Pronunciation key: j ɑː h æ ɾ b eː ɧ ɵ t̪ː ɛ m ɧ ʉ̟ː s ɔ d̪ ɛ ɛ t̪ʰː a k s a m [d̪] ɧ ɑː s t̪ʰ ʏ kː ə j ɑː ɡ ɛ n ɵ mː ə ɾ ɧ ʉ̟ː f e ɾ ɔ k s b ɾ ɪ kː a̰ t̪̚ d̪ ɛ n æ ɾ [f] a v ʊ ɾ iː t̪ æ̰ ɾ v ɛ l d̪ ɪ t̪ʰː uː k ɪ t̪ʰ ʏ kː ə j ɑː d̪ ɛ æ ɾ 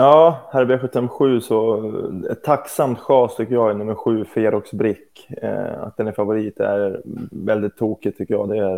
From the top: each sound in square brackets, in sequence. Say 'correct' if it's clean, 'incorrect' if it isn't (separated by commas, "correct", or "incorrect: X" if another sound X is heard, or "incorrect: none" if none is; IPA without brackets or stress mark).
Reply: incorrect: t̪, correct